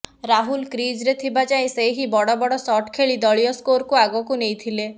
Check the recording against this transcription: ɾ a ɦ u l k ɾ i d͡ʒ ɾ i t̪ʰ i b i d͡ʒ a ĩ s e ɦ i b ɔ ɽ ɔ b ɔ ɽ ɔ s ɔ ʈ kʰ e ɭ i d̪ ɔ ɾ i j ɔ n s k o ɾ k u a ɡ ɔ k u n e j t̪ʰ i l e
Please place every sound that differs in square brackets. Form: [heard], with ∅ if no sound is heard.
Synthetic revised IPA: ɾ a ɦ u l k ɾ i d͡ʒ ɾ [e] t̪ʰ i b [a] d͡ʒ a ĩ s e ɦ i b ɔ ɽ ɔ b ɔ ɽ ɔ s ɔ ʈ kʰ e ɭ i d̪ ɔ [ɭ] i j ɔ [∅] s k o ɾ k u a ɡ ɔ k u n e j t̪ʰ i l e